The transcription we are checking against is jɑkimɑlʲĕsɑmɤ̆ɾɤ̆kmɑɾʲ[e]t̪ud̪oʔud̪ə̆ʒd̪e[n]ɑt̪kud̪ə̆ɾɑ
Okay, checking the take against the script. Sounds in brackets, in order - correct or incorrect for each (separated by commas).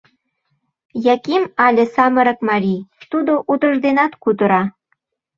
incorrect, correct